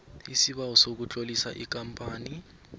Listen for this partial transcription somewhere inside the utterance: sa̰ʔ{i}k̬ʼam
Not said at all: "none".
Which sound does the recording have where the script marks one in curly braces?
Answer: i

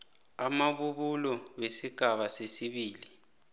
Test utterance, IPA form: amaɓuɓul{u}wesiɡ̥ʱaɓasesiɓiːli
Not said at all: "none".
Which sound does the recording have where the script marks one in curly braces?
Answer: ɔ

